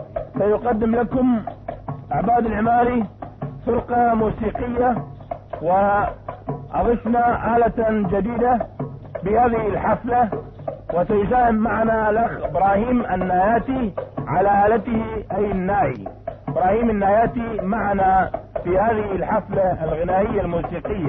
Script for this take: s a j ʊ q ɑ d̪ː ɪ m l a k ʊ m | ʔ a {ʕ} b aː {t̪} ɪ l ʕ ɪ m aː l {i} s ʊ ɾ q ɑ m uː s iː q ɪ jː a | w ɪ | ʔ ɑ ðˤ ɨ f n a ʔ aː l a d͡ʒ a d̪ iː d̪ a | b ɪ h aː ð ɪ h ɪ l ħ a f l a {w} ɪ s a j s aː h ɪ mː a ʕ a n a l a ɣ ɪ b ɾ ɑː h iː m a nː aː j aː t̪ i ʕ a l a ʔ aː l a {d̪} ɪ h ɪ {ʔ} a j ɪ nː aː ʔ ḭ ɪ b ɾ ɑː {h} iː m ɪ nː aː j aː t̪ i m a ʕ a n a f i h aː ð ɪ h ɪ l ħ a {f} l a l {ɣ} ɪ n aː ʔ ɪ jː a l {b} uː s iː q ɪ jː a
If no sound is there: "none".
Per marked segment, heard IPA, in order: ʕ, d̪, i, w, t̪, ʔ, h, f, ɣ, m

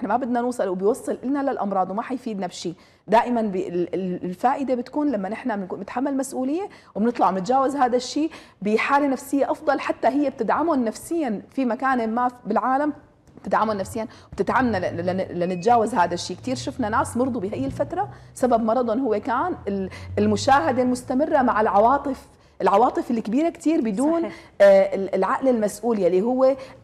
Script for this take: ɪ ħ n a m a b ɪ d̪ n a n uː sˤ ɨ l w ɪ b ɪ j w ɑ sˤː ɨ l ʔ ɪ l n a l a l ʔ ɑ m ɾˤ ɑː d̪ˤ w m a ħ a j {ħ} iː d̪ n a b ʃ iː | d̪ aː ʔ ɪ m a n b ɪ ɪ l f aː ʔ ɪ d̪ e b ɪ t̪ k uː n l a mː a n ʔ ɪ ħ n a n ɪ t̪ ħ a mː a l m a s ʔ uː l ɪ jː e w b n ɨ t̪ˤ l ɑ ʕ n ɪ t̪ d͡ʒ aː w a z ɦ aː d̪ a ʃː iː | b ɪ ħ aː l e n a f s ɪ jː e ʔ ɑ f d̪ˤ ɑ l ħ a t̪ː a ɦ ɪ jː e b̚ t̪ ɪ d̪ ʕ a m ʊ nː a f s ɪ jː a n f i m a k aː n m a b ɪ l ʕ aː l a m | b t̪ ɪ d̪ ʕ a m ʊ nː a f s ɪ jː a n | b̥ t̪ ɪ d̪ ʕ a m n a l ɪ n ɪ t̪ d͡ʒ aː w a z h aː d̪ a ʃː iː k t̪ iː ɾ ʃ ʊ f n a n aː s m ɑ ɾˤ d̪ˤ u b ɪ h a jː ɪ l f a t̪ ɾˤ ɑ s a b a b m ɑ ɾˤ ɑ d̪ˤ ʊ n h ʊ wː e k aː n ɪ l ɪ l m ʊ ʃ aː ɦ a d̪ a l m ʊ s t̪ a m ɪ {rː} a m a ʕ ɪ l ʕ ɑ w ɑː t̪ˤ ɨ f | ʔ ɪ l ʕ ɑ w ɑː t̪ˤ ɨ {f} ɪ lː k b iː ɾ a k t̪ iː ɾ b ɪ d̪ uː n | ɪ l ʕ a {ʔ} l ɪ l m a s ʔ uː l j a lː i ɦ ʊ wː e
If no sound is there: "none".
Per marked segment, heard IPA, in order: f, rː, f, ʔ

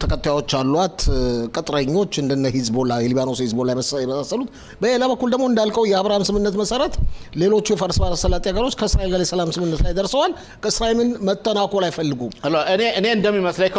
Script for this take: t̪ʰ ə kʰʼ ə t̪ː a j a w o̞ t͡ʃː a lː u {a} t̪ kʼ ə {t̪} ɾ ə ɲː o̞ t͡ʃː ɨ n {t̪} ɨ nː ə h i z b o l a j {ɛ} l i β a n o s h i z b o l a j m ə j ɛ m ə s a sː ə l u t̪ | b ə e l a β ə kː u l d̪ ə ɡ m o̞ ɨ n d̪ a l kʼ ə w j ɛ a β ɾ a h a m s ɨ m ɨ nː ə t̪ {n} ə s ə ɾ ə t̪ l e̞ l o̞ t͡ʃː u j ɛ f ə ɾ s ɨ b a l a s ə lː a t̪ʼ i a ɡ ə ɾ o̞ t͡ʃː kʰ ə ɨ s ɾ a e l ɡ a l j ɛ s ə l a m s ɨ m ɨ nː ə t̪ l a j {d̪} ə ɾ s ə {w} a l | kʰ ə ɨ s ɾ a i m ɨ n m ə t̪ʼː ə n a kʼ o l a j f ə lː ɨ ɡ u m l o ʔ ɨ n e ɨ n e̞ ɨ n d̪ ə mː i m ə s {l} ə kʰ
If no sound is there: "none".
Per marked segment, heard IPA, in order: a, t̪ʼ, d̪, ɛ, m, d̪, w, l

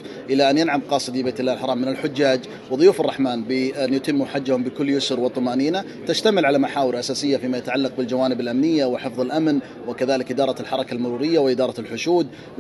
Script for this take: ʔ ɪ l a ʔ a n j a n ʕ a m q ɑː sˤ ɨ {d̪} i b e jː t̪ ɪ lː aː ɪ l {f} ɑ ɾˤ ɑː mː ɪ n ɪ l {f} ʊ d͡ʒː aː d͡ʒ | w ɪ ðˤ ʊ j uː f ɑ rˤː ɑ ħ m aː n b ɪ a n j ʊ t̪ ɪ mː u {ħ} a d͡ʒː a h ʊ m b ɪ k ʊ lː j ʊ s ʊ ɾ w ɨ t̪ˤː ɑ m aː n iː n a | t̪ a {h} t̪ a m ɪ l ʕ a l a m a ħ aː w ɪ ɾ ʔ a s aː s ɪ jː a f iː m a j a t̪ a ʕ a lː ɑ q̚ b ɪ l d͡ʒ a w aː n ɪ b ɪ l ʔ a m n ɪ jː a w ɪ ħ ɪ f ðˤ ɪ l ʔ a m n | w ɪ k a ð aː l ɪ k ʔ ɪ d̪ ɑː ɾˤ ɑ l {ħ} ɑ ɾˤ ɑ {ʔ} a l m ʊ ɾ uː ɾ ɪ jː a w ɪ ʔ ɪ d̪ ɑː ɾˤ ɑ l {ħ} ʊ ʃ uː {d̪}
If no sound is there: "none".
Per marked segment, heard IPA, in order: d̪, ħ, ħ, ħ, ʃ, ħ, k, ħ, d̪

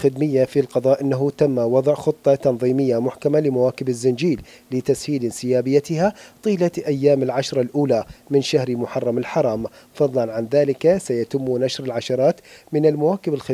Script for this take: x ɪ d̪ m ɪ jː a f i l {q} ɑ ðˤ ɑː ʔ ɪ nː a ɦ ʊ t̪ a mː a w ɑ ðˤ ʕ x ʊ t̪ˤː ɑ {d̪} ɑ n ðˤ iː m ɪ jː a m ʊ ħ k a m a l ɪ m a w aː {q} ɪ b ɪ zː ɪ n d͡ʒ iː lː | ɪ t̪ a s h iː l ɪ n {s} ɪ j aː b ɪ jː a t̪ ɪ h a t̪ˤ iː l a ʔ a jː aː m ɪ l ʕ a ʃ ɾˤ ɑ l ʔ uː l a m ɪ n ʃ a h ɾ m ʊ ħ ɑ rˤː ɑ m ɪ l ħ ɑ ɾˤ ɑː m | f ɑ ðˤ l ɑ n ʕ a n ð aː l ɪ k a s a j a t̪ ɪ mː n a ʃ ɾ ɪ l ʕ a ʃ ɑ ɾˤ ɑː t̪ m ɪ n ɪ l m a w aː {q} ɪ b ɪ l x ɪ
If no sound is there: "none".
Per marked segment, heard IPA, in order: q, t̪, k, s, k

